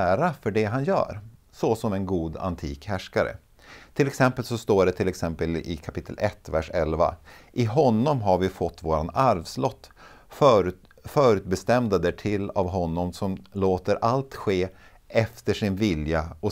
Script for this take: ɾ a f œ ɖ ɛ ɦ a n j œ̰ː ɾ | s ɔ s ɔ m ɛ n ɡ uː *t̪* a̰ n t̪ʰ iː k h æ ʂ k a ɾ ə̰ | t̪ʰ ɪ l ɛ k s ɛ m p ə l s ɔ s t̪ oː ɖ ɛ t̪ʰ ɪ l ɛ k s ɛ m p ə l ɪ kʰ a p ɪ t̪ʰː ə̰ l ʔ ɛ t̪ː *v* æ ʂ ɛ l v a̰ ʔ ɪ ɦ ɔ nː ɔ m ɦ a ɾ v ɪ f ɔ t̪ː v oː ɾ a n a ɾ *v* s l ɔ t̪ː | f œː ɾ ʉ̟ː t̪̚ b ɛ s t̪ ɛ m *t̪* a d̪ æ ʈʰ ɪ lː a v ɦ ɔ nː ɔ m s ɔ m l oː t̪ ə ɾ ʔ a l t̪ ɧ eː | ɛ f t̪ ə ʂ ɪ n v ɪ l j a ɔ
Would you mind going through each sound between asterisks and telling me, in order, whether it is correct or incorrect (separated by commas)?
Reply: incorrect, correct, correct, incorrect